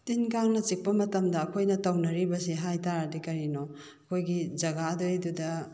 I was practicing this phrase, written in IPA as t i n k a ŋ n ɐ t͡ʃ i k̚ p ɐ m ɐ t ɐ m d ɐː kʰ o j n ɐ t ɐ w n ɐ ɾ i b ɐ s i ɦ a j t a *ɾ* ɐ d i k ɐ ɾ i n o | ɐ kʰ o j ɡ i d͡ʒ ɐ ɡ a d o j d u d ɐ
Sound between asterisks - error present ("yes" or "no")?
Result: no